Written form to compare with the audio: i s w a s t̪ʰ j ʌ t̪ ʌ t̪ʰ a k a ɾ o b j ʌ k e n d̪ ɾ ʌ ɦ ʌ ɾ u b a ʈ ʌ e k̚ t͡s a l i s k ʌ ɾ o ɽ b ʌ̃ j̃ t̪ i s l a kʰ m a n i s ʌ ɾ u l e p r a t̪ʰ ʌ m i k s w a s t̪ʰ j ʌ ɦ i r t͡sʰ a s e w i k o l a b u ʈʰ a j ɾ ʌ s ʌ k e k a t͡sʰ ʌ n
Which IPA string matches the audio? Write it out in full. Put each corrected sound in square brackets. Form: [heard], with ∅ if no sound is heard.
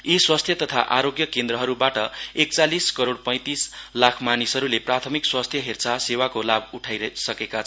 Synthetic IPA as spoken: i s w a s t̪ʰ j ʌ t̪ ʌ t̪ʰ a [ʔ] a ɾ o [ɡ] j ʌ k e n d̪ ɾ ʌ ɦ ʌ ɾ u b a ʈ ʌ e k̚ t͡s a l i s k ʌ ɾ o ɽ [p] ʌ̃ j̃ t̪ i s l a kʰ m a n i s ʌ ɾ u l e p r a t̪ʰ ʌ m i k s w a s t̪ʰ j ʌ ɦ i r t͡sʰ a s e w [a] k o l a b u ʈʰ a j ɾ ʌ s ʌ k e k a t͡sʰ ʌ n